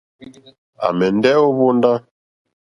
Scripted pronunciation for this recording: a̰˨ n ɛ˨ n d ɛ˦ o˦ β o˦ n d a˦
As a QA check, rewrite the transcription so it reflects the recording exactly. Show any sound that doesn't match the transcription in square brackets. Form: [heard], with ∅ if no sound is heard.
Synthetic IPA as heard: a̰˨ [m] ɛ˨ n d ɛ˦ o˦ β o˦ n d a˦